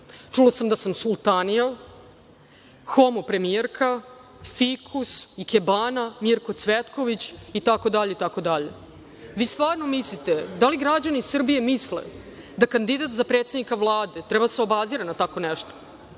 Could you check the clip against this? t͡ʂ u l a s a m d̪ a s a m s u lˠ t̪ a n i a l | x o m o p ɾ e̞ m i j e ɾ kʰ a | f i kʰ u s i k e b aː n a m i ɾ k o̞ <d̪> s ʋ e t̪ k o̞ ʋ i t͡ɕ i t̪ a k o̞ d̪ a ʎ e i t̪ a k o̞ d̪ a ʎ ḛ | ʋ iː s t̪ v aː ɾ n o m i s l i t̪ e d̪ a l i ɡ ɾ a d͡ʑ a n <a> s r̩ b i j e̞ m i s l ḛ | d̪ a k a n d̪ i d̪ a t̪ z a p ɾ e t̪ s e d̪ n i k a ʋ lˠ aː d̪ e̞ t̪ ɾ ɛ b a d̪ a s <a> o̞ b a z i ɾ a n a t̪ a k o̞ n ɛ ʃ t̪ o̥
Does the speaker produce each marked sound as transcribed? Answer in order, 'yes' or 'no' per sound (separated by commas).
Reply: no, no, no